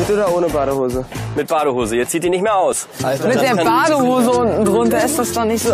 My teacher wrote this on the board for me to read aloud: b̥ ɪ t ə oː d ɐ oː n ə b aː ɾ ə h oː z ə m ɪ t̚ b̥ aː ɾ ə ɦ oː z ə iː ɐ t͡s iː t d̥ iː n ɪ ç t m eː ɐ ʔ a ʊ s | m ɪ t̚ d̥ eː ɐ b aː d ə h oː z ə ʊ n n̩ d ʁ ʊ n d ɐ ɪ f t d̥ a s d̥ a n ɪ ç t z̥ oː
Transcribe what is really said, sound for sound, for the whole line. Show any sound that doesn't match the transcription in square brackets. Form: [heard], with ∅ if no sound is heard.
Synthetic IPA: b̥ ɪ t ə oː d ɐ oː n ə b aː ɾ ə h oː z ə m ɪ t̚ b̥ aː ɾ ə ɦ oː z ə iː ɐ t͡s iː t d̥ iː n ɪ ç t m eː ɐ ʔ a ʊ s | m ɪ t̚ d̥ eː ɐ b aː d ə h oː z ə ʊ n n̩ d ʁ ʊ n [t] ɐ ɪ [s] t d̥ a s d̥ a n ɪ ç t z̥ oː

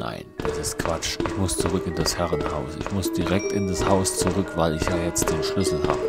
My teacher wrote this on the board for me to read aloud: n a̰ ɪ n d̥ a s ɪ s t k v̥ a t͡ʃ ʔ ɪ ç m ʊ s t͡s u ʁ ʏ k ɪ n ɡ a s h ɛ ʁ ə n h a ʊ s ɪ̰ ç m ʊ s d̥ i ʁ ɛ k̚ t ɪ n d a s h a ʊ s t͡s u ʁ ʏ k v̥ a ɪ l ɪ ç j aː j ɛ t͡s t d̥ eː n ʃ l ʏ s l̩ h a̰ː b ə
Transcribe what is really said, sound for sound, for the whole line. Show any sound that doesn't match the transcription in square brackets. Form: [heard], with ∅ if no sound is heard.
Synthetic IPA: n a̰ ɪ n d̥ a s ɪ s t k v̥ a t͡ʃ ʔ ɪ ç m ʊ s t͡s u ʁ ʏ k ɪ n [d] a s h ɛ ʁ ə n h a ʊ s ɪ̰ ç m ʊ s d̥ i ʁ ɛ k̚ t ɪ n d a s h a ʊ s t͡s u ʁ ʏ k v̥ a ɪ l ɪ ç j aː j ɛ t͡s t d̥ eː n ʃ l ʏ s l̩ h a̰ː b ə

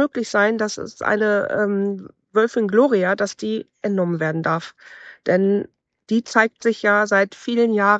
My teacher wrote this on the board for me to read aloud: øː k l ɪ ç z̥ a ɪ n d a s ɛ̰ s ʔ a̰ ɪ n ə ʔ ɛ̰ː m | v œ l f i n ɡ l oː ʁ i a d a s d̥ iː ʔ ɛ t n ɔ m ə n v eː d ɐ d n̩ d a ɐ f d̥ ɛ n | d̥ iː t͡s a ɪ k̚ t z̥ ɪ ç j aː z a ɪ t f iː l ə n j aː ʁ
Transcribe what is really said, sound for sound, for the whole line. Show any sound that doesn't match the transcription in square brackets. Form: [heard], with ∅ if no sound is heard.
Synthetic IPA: øː k l ɪ ç z̥ a ɪ n d a s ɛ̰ s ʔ a̰ ɪ n ə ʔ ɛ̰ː m | v œ l f [ɪ] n ɡ l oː ʁ i a d a s d̥ iː ʔ ɛ t n ɔ m ə n v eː [∅] ɐ d n̩ d a ɐ f d̥ ɛ n | d̥ iː t͡s a ɪ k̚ t z̥ ɪ ç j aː z a ɪ t f iː l ə n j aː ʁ

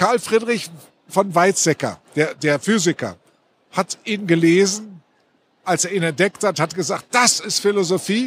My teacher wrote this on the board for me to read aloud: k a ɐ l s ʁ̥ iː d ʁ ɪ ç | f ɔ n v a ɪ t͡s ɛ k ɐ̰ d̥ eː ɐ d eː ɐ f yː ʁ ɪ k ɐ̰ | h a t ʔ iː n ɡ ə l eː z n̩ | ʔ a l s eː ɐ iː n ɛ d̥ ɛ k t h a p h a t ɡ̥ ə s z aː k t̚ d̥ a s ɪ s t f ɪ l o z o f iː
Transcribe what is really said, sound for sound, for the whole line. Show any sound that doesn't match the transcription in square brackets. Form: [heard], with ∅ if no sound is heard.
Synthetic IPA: k a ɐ l [f] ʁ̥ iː d ʁ ɪ ç | f ɔ n v a ɪ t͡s ɛ k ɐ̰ d̥ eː ɐ d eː ɐ f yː [z] ɪ k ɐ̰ | h a t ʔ iː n ɡ ə l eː z n̩ | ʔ a l s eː ɐ iː n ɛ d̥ ɛ k t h a [t] h a t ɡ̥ ə [∅] z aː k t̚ d̥ a s ɪ s t f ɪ l o z o f iː

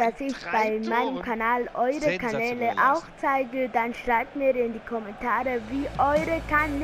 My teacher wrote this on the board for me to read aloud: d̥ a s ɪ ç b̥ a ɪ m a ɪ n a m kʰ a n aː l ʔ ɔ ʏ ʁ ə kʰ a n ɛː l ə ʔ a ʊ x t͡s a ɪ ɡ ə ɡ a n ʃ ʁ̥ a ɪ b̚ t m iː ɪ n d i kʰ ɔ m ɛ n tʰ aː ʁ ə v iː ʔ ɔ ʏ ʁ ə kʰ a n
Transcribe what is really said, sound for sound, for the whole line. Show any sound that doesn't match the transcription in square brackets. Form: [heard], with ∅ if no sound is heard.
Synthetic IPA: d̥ a s ɪ ç b̥ a ɪ m a ɪ n [ə] m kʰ a n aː l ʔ ɔ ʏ ʁ ə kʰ a n ɛː l ə ʔ a ʊ x t͡s a ɪ ɡ ə [d] a n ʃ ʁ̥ a ɪ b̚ t m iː ɪ n d i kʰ ɔ m ɛ n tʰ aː ʁ ə v iː ʔ ɔ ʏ ʁ ə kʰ a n

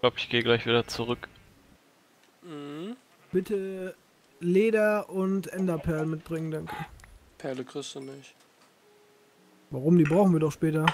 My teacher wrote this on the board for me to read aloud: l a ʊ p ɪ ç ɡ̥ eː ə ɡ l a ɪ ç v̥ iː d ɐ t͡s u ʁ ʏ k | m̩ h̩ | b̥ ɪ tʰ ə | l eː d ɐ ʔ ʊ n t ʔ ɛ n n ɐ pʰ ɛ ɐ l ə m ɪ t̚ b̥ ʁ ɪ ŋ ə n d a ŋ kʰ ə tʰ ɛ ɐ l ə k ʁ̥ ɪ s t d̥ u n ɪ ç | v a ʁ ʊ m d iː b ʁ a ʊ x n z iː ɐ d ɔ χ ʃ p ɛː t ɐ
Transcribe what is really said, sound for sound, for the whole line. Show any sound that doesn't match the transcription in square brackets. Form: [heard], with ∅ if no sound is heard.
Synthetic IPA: l a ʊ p ɪ ç ɡ̥ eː ə ɡ l a ɪ ç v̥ iː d ɐ t͡s u ʁ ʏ k | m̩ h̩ | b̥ ɪ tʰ ə | l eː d ɐ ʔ ʊ n t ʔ ɛ n [d] ɐ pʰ ɛ ɐ l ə m ɪ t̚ b̥ ʁ ɪ ŋ ə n d a ŋ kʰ ə [pʰ] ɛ ɐ l ə k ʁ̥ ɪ s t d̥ u n ɪ ç | v a ʁ ʊ m d iː b ʁ a ʊ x n [v] iː ɐ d ɔ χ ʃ p ɛː t ɐ

